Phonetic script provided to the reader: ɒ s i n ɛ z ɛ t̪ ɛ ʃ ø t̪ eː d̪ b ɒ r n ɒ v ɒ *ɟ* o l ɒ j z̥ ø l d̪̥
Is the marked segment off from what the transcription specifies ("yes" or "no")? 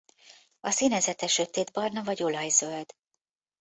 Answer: no